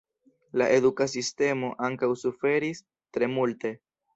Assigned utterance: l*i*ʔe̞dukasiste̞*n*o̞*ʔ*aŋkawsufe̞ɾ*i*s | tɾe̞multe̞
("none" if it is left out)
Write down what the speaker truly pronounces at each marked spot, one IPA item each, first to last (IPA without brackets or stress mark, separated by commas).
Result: a, m, ʔ, i